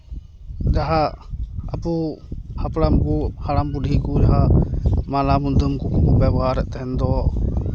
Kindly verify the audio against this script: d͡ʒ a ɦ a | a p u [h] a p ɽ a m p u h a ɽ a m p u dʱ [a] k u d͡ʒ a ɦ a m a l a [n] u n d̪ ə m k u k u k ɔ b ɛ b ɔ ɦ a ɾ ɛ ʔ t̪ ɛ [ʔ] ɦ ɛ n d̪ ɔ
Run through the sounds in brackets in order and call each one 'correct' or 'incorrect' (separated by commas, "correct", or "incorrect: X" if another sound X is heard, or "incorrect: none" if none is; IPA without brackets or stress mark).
correct, incorrect: i, incorrect: m, incorrect: none